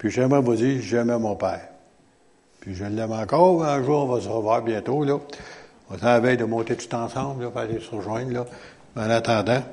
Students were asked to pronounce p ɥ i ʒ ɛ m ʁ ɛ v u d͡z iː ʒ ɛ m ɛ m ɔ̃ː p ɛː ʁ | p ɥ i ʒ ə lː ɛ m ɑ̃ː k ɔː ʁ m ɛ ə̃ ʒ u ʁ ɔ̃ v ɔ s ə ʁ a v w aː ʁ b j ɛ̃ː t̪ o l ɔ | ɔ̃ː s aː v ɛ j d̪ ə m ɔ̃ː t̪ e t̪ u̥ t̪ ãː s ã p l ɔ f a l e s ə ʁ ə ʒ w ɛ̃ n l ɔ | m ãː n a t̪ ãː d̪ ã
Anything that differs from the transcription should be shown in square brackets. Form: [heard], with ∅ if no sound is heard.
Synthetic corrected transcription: p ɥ i ʒ ɛ m ʁ ɛ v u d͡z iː ʒ ɛ m ɛ m ɔ̃ː p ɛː ʁ | p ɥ i ʒ ə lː ɛ m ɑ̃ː k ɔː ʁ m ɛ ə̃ ʒ [uː] ʁ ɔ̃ v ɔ s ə ʁ [ə] v w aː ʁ b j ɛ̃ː t̪ o l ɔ | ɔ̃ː s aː v ɛ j d̪ ə m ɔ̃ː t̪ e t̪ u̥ t̪ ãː s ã [b] l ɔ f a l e s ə ʁ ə ʒ w ɛ̃ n l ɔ | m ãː n a t̪ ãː d̪ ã